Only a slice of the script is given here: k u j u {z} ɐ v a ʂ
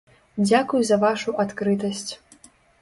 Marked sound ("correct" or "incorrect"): correct